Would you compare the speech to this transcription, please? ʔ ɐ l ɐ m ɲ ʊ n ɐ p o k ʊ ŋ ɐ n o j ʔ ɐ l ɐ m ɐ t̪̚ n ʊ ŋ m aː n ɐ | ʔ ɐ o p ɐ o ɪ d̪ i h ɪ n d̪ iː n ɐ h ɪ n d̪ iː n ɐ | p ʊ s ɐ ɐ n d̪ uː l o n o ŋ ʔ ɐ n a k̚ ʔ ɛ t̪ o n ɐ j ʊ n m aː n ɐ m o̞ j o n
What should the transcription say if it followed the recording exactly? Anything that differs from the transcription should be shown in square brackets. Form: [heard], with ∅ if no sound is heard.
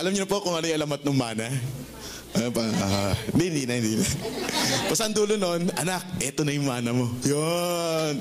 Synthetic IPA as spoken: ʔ ɐ l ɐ m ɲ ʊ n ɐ p o k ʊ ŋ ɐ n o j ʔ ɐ l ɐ m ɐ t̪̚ n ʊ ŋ m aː n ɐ | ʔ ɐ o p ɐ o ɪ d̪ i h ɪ n d̪ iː n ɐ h ɪ n d̪ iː n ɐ | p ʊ s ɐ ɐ n d̪ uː l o n o [n] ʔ ɐ n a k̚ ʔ ɛ t̪ o n ɐ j ʊ [ŋ] m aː n ɐ m o̞ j o n